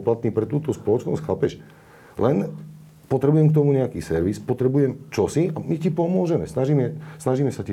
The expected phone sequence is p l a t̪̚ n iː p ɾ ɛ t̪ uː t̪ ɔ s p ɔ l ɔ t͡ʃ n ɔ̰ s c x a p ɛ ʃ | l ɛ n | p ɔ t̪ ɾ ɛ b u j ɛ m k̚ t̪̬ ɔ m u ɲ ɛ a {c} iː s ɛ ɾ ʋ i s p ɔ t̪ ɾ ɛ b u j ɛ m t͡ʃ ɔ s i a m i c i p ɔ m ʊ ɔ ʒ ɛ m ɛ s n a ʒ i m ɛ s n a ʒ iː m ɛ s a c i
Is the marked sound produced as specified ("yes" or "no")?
no